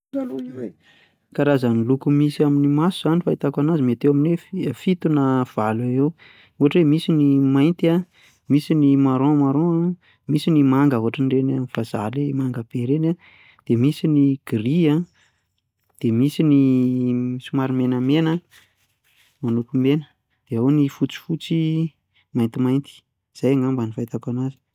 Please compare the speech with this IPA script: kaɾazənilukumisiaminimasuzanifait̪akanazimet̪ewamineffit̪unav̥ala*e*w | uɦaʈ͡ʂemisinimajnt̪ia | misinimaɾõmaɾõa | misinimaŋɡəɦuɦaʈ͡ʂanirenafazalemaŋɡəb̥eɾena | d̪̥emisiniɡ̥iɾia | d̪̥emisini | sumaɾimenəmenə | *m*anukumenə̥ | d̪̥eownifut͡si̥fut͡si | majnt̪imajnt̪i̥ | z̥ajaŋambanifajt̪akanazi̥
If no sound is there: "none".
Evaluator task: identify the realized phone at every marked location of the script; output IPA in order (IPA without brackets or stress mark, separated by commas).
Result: e, m